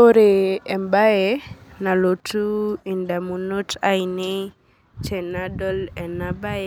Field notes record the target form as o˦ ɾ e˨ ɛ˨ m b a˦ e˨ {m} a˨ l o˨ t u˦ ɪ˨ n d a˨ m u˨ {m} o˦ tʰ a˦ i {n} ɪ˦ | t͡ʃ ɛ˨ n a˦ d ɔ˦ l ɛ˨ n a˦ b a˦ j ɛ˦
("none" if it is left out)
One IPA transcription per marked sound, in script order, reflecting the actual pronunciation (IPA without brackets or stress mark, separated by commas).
n, n, n